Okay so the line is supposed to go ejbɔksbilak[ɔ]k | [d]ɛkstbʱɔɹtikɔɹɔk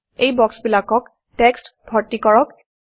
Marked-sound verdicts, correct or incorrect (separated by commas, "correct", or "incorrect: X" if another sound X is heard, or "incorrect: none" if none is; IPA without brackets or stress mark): correct, incorrect: t